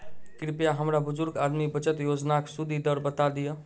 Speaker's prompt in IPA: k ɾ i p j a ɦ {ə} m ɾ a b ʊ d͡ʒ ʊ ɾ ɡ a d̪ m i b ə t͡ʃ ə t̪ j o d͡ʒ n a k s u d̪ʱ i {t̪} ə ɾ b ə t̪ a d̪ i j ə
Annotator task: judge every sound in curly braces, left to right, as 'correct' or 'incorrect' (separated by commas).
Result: correct, incorrect